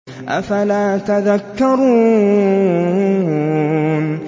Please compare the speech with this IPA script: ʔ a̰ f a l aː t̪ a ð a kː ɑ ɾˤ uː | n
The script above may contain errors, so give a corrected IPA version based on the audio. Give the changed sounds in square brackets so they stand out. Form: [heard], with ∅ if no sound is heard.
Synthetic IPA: ʔ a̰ f a l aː t̪ a ð a kː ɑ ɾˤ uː | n